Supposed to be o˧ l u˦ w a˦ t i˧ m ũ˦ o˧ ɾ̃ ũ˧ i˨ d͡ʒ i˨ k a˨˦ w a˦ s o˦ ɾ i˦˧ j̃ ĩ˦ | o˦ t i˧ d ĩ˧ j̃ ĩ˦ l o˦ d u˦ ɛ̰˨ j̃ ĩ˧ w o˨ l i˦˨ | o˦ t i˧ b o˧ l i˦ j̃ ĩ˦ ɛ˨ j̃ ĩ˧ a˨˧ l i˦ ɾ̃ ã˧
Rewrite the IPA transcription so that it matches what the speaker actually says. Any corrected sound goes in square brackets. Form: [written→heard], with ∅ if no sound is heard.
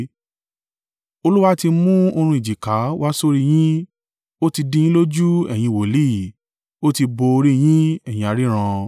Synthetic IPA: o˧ l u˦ w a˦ t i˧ m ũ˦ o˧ ɾ̃ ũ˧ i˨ d͡ʒ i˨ k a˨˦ w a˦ s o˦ ɾ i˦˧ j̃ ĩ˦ | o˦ t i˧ d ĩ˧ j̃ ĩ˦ l o˦ [d→d͡ʒ] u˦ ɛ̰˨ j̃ ĩ˧ w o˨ l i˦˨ | o˦ t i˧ b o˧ [l→ɾ] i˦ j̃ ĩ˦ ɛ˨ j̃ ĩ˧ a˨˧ [l→ɾ] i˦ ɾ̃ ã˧